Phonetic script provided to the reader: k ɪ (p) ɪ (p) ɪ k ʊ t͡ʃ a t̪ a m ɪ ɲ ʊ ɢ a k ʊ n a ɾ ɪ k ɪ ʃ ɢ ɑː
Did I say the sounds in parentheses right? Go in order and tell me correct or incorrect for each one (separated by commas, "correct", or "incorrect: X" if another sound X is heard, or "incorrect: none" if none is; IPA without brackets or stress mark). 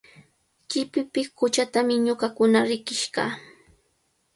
correct, correct